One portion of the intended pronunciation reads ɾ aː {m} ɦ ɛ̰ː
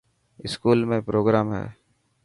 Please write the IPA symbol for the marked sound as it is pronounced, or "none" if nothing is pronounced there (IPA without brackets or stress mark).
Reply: m